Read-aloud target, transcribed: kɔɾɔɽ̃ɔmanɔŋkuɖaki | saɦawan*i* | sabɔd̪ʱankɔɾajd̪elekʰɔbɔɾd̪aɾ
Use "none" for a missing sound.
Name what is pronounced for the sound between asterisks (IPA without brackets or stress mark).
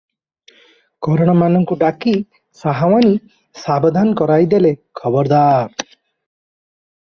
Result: i